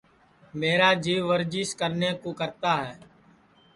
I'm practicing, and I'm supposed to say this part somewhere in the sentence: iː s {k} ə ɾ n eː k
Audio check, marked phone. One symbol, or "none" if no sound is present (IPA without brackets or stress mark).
k